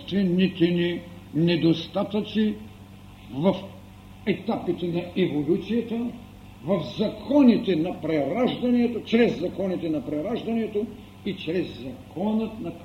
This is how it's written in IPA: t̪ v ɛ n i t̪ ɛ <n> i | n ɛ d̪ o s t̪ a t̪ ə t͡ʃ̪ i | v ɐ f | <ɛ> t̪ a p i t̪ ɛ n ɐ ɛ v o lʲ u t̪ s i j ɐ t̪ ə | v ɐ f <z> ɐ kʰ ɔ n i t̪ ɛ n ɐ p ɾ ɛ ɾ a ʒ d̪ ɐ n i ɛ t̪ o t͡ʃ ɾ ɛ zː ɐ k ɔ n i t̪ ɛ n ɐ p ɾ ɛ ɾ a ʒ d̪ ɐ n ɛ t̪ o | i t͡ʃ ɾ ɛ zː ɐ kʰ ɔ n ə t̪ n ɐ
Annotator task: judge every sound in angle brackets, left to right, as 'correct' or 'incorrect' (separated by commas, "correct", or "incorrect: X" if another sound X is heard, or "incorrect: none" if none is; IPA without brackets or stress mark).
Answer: correct, correct, correct